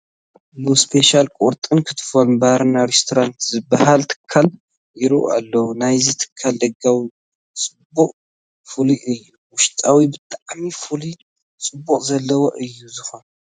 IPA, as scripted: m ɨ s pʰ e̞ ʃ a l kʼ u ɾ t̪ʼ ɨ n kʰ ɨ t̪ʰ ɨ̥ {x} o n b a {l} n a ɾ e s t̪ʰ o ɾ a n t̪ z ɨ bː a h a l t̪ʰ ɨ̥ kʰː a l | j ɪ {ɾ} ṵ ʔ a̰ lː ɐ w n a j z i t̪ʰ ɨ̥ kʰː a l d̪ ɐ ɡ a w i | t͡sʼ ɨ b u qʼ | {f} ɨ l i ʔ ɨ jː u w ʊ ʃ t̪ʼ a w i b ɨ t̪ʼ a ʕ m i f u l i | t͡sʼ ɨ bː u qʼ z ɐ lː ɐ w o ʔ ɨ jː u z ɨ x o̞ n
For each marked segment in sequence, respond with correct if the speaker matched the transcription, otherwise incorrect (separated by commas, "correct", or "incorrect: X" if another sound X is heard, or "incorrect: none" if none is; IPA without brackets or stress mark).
incorrect: f, incorrect: ɾ, correct, correct